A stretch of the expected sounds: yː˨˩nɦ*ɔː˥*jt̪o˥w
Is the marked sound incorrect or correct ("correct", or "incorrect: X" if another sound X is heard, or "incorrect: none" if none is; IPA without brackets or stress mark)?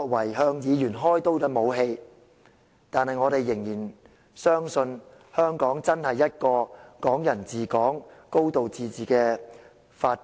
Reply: correct